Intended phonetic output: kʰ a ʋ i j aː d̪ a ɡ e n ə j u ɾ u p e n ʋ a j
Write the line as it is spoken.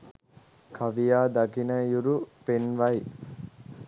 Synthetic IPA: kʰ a ʋ i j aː d̪ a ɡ i n ə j u ɾ u p e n ʋ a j